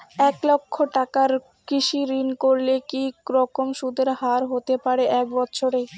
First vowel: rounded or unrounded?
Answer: unrounded